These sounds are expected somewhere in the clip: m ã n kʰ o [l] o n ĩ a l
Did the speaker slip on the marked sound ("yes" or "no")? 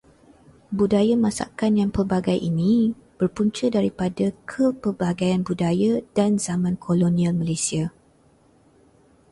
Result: no